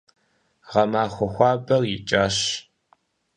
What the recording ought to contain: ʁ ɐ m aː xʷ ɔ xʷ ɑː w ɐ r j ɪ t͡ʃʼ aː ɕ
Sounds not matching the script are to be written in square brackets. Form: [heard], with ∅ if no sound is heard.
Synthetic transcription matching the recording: ʁ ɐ m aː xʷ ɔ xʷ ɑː [b] ɐ r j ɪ t͡ʃʼ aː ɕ